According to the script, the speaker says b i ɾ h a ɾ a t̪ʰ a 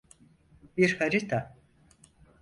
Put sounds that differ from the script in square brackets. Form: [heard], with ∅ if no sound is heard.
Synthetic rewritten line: b i ɾ h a ɾ [i] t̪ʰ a

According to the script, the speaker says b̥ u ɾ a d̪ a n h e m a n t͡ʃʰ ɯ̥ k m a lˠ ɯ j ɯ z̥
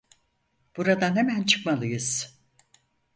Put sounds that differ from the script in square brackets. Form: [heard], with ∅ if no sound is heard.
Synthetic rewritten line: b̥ u ɾ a d̪ a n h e m [æ] n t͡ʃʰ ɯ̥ k m a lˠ ɯ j ɯ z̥

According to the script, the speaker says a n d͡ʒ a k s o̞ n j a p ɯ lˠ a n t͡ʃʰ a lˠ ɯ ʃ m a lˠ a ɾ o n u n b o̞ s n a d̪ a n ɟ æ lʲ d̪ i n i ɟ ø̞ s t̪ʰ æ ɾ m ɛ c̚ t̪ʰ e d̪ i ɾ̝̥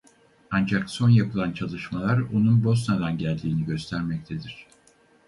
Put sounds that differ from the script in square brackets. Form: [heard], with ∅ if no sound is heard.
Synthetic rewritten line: a n d͡ʒ a k s o̞ n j a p ɯ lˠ a n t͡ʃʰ a lˠ ɯ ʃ m a lˠ a ɾ o n u n b o̞ s n a d̪ a n ɟ æ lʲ d̪ [iː] n i ɟ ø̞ s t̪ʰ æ ɾ m ɛ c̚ t̪ʰ e d̪ i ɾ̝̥

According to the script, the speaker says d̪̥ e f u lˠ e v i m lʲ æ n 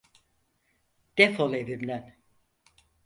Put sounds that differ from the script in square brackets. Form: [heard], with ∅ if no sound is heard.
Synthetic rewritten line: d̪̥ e f [o] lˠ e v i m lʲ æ n

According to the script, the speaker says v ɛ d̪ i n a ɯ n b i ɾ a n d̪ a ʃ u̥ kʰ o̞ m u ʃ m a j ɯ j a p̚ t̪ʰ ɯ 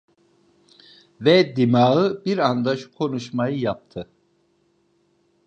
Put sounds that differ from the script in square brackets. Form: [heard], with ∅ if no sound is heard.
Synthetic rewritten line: v ɛ d̪ i [m] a ɯ [∅] b i ɾ a n d̪ a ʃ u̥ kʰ o̞ [n] u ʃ m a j ɯ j a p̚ t̪ʰ ɯ

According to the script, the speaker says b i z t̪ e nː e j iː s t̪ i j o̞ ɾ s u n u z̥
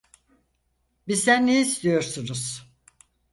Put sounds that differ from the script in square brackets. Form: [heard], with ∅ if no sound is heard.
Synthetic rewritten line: b i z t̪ [æ] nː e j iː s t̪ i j o̞ ɾ s u n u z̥

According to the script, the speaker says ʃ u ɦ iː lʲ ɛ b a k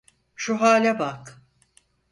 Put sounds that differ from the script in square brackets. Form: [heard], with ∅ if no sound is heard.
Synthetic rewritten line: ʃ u ɦ [aː] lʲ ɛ b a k

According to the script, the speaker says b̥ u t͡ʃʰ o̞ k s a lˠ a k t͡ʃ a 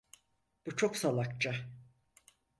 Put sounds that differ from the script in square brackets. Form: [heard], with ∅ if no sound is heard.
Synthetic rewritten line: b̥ u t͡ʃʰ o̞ k s a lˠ a k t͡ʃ a

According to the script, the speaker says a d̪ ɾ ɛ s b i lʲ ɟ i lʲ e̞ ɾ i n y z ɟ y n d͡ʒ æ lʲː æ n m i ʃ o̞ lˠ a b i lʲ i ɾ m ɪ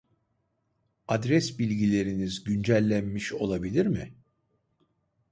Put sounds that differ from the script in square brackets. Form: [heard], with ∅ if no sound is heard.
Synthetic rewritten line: a d̪ ɾ ɛ s b i lʲ ɟ i lʲ e̞ ɾ i n [i] z ɟ y n d͡ʒ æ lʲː æ n m i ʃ o̞ lˠ a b i lʲ i ɾ m ɪ

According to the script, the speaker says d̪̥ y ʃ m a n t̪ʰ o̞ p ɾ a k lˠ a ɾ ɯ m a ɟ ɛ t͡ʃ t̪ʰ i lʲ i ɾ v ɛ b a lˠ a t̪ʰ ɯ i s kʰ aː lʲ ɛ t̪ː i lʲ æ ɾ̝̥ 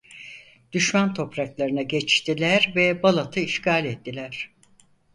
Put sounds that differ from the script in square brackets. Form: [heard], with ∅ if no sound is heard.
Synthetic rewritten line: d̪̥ y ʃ m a n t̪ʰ o̞ p ɾ a k lˠ a ɾ ɯ [n] a ɟ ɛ t͡ʃ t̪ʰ i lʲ [æ] ɾ v ɛ b a lˠ a t̪ʰ ɯ i [ʃ] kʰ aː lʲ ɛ t̪ː i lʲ æ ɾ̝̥

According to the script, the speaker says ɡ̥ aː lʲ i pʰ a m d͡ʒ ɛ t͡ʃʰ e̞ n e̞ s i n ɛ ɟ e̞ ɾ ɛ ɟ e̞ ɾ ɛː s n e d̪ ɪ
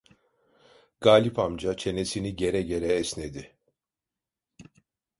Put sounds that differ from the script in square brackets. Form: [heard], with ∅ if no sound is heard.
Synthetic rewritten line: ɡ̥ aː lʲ i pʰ a m d͡ʒ [a] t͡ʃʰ e̞ n e̞ s i n [i] ɟ e̞ ɾ ɛ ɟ e̞ ɾ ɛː s n e d̪ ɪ

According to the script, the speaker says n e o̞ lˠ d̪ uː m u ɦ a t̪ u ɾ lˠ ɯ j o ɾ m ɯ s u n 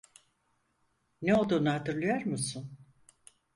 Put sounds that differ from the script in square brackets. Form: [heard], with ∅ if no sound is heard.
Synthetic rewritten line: n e o̞ lˠ d̪ uː [n] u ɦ a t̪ [ɯ] ɾ lˠ ɯ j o ɾ m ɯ s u n

